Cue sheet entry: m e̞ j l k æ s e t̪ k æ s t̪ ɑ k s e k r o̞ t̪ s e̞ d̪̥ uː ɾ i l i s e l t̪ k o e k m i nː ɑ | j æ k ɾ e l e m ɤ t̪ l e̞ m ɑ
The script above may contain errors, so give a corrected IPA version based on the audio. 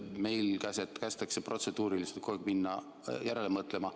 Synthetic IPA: m e̞ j l k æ s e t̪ k æ s t̪ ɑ k s e p r o̞ t̪ s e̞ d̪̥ uː ɾ i l i s e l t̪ k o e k m i nː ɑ | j æ ɾ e l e m ɤ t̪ l e̞ m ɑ

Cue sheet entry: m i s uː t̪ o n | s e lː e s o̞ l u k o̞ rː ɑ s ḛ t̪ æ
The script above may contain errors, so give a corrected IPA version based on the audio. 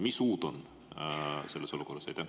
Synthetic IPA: m i s uː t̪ o n | s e lː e s o̞ l u k o̞ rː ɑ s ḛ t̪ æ

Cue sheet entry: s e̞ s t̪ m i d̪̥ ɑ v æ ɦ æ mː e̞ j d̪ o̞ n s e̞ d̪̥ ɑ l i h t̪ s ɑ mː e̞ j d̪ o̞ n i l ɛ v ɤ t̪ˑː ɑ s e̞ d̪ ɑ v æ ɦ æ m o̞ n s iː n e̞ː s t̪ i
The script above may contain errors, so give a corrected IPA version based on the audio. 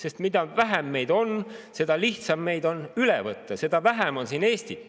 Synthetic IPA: s e̞ s t̪ m i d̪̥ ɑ v æ ɦ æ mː e̞ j d̪ o̞ n s e̞ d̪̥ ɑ l i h t̪ s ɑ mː e̞ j d̪ o̞ n y l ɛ v ɤ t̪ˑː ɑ s e̞ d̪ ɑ v æ ɦ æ m o̞ n s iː n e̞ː s t̪ i

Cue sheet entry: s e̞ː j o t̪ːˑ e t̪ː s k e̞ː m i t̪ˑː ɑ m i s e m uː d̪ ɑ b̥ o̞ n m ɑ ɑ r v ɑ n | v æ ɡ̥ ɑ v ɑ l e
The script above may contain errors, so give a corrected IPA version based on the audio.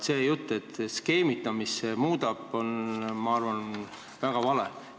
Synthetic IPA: s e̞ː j u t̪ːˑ e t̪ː s k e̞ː m i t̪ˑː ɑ m i s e m uː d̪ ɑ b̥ o̞ n m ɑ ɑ r v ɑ n | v æ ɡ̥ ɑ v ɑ l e

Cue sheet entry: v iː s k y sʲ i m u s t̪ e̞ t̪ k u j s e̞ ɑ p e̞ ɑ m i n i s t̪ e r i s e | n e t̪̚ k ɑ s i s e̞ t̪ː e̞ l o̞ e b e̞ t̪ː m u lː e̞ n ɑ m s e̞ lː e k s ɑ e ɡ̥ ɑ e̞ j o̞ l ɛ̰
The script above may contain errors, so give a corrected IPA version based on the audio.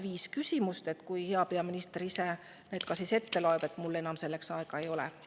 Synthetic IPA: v iː s k y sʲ i m u s t̪ e̞ t̪ k u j h e̞ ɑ p e̞ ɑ m i n i s t̪ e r i s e | n e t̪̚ k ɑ s i s e̞ t̪ː e̞ l o̞ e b e̞ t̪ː m u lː e̞ n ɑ m s e̞ lː e k s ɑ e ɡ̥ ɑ e̞ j o̞ l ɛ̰

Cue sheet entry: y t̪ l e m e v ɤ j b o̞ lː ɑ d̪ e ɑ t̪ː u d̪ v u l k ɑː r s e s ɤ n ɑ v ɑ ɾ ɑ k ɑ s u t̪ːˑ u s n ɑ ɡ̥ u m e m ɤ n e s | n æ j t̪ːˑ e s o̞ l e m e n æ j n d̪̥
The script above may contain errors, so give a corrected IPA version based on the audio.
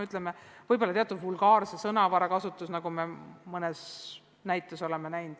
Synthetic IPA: y t̪ l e m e v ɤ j b o̞ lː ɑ t̪ e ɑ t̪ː u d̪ v u l ɡ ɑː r s e s ɤ n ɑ v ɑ ɾ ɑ k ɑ s u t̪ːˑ u s n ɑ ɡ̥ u m e m ɤ n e s | n æ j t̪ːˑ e s o̞ l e m e n æ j n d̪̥

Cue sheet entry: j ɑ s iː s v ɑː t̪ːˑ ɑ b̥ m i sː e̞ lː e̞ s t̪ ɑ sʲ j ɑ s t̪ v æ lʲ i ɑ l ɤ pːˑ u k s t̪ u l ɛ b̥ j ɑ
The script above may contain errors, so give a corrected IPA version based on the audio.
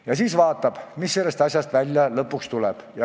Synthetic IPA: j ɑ s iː s v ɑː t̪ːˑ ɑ b̥ m i sː e̞ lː e̞ s t̪ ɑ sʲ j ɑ s t̪ v æ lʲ j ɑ l ɤ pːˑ u k s t̪ u l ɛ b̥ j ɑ

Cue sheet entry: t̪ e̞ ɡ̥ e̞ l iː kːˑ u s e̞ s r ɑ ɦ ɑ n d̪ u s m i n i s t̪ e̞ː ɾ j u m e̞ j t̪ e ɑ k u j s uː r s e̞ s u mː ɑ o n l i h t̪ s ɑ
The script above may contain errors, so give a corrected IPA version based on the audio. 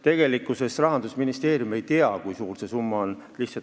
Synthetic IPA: t̪ e̞ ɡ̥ e̞ l i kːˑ u s e̞ s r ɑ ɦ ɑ n d̪ u s m i n i s t̪ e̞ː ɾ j u m e̞ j t̪ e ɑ k u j s uː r s e̞ s u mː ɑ o n l i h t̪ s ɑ

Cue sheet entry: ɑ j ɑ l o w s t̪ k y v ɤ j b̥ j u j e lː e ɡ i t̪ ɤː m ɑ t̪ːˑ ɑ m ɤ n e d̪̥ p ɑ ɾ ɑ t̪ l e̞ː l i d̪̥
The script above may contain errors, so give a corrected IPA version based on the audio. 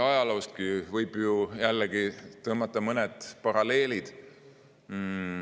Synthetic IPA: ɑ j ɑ l o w s t̪ k i v ɤ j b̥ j u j æ lː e ɡ i t̪ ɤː m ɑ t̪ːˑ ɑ m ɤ n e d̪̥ p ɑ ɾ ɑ l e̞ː l i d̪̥

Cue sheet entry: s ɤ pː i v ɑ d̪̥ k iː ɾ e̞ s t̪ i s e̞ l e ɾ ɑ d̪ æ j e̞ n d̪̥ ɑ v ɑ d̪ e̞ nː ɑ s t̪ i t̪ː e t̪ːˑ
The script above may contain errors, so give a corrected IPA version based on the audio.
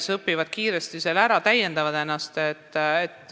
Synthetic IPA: s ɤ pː i v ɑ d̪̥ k iː ɾ e̞ s t̪ i s e̞ l æ ɾ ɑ t̪ æ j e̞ n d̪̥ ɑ v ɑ d̪ e̞ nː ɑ s t̪ e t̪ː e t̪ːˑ

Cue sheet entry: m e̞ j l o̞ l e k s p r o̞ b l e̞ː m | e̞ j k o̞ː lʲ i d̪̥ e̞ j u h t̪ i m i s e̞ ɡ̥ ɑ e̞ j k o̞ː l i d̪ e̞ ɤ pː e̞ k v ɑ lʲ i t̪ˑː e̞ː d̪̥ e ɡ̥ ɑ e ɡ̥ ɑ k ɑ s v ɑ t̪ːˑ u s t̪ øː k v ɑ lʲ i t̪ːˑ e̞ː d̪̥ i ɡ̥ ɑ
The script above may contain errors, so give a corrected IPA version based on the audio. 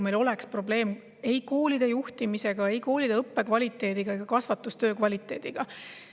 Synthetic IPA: m e̞ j l o̞ l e k s p r o̞ b l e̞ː m | e̞ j k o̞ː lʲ i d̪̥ e̞ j u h t̪ i m i s e̞ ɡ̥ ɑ e̞ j k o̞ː l i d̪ e̞ ɤ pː e̞ k v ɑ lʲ i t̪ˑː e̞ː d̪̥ i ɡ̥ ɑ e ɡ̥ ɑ k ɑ s v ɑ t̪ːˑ u s t̪ øː k v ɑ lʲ i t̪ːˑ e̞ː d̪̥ i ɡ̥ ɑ

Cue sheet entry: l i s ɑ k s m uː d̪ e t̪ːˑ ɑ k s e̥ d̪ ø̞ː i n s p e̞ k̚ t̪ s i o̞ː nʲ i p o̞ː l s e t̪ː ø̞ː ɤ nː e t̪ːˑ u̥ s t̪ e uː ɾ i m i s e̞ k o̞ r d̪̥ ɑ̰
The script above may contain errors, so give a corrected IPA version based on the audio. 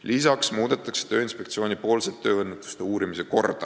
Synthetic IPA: l i s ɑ k s m uː d̪ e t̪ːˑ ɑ k s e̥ t̪ ø̞ː i n s p e̞ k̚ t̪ s i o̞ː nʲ i p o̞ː l s e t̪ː ø̞ː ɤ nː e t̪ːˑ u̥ s t̪ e uː ɾ i m i s e̞ k o̞ r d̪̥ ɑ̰

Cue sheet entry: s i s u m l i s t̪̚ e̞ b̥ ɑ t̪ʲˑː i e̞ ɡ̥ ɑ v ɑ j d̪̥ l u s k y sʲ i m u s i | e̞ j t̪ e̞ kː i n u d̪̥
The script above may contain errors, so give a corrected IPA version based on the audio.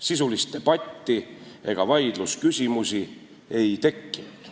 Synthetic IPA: s i s u l i s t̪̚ e̞ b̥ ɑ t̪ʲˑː i e̞ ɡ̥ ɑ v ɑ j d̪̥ l u s k y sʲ i m u s i | e̞ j t̪ e̞ kː i n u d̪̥

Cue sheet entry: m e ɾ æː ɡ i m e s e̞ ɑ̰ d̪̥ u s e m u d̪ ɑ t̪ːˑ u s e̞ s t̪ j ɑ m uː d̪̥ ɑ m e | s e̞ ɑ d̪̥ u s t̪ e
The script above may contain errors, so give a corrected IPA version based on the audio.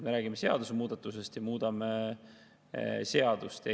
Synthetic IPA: m e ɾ æː ɡ i m e s e̞ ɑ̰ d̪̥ u s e m uː d̪ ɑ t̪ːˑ u s e̞ s t̪ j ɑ m uː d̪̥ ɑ m e | s e̞ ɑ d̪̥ u s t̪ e

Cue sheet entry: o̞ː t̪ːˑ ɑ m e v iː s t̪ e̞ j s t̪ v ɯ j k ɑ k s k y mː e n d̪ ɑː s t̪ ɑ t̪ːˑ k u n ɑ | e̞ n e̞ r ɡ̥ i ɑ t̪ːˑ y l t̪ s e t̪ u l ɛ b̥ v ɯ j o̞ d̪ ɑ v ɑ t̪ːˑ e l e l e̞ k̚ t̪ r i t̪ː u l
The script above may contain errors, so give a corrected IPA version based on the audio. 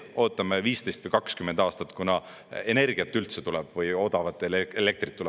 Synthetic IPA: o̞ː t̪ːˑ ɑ m e v iː s t̪ e̞ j s t̪ v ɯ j k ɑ k s k y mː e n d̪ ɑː s t̪ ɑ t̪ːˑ k u n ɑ | e̞ n e̞ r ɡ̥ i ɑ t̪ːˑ y l t̪ s e t̪ u l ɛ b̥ v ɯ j o̞ d̪ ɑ v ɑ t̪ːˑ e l e l e̞ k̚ t̪ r i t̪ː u l

